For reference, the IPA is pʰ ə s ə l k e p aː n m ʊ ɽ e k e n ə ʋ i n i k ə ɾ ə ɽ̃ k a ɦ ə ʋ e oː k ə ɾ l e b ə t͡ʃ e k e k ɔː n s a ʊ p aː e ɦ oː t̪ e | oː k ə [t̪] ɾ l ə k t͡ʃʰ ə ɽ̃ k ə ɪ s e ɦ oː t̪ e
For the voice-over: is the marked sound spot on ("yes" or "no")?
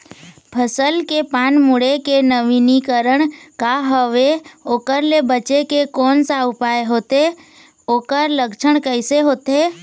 no